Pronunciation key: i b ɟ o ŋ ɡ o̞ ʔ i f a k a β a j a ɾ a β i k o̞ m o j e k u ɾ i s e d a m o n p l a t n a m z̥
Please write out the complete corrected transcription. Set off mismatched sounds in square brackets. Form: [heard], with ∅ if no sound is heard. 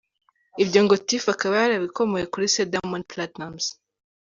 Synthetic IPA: i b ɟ o ŋ ɡ o̞ [t] i f a k a β a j a ɾ a β i k o̞ m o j e k u ɾ i s e d a m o n p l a t n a m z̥